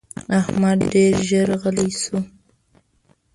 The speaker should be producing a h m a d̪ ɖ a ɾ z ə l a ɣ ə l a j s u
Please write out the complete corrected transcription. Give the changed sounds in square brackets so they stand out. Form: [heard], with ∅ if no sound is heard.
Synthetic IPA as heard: a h m a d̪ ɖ [e] ɾ [ʒ] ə [ɾ] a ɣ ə l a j s u